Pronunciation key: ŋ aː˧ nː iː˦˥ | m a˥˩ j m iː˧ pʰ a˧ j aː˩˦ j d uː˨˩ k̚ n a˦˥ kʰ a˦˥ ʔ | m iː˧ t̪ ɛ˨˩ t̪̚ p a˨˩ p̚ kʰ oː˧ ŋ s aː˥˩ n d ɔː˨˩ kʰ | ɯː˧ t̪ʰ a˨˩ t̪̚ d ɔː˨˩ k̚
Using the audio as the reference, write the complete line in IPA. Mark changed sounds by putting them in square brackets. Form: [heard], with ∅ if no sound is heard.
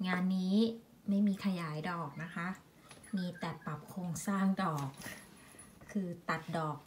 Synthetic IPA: ŋ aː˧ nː iː˦˥ | m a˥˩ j m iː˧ [kʰ] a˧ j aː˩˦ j d [ɔː˨˩] k̚ n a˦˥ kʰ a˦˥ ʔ | m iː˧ t̪ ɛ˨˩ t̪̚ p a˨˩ p̚ kʰ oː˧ ŋ s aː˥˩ [ŋ] d ɔː˨˩ kʰ | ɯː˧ [t̪] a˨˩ t̪̚ d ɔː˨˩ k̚